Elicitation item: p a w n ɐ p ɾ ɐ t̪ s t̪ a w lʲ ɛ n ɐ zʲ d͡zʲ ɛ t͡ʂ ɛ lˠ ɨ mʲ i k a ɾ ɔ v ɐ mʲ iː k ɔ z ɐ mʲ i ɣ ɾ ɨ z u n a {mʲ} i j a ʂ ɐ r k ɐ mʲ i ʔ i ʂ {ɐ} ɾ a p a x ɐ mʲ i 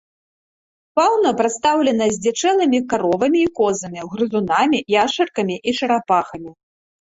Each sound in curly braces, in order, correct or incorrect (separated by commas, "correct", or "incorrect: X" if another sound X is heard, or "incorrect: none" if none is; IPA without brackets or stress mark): correct, correct